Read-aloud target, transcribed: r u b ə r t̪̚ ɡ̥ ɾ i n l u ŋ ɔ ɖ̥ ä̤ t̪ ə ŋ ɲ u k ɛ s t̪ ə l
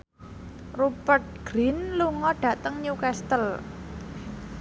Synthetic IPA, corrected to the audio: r u p ə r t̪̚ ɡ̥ ɾ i n l u ŋ ɔ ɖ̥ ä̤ t̪ ə ŋ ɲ u k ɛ s t̪ ə l